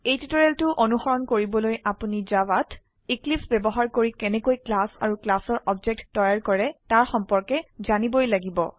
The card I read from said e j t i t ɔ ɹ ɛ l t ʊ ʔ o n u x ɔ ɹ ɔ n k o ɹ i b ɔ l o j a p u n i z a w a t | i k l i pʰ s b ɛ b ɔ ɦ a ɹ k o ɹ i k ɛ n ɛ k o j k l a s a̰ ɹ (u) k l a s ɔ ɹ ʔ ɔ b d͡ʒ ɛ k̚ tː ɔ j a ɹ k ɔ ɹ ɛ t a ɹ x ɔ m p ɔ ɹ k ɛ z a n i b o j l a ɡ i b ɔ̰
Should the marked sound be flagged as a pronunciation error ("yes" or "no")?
no